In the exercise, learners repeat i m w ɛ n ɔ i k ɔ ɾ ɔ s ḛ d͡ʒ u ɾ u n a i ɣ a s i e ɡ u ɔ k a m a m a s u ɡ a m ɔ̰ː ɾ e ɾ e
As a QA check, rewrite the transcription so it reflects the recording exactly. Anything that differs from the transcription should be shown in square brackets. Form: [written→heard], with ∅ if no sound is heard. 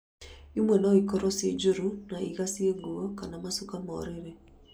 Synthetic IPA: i m w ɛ n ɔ i k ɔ ɾ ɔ s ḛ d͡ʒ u ɾ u n a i ɣ a s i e ɡ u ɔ k a [m→n] a m a s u [ɡ→k] a m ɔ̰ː ɾ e ɾ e